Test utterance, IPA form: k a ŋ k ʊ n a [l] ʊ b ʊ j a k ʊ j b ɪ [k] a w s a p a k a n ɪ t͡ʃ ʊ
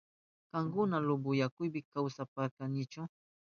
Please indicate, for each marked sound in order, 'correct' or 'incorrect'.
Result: correct, correct

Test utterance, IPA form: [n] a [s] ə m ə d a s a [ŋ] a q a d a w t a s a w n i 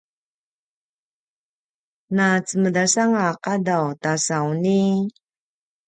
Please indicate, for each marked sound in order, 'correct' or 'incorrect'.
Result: correct, incorrect, correct

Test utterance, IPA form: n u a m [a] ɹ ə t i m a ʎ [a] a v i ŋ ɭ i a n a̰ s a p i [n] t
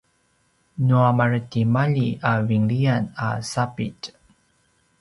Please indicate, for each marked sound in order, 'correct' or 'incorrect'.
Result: correct, incorrect, incorrect

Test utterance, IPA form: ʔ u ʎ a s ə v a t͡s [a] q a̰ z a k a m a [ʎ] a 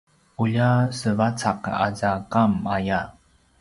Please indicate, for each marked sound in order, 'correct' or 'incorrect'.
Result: correct, incorrect

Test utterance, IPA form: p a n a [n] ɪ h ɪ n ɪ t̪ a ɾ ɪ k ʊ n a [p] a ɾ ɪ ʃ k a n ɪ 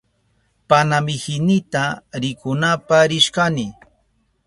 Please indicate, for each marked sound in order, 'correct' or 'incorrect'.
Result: incorrect, correct

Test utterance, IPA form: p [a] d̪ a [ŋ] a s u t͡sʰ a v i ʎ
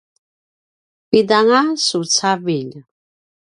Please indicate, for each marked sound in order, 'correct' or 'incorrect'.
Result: incorrect, correct

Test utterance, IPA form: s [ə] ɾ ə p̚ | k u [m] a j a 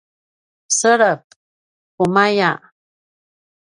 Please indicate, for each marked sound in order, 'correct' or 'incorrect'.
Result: correct, correct

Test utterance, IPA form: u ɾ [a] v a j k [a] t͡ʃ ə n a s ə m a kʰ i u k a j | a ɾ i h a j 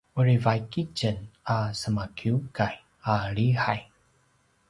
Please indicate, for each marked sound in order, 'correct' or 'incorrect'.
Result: incorrect, incorrect

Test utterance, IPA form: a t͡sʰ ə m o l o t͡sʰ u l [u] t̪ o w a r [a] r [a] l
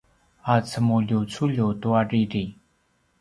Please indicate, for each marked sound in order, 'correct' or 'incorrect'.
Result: incorrect, incorrect, incorrect

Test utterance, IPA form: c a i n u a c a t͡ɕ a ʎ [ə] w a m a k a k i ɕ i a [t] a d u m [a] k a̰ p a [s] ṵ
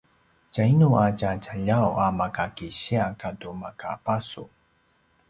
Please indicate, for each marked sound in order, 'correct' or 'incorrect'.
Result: incorrect, incorrect, correct, correct

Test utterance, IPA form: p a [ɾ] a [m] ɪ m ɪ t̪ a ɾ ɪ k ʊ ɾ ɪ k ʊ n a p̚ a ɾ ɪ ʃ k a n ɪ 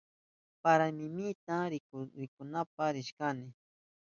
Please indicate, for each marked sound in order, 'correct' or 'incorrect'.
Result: correct, correct

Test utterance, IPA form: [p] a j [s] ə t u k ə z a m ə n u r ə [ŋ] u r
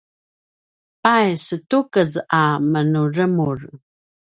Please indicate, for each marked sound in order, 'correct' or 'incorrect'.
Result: correct, correct, incorrect

